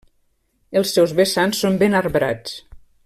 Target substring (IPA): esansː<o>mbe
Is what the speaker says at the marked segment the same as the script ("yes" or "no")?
yes